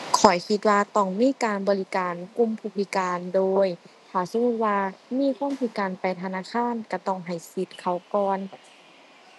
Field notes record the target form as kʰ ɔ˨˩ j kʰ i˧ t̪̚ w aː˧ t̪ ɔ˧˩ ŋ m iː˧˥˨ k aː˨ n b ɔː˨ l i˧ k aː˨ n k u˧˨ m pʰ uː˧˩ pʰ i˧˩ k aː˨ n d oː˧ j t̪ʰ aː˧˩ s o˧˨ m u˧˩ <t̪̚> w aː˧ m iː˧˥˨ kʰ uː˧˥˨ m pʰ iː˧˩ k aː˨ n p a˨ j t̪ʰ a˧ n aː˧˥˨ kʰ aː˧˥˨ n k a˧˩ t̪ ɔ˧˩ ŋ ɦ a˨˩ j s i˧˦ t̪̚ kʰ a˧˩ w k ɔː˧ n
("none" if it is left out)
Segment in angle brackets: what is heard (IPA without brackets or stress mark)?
t̪̚